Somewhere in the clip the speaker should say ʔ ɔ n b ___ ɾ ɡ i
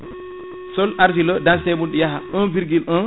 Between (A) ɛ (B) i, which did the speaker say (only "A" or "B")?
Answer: B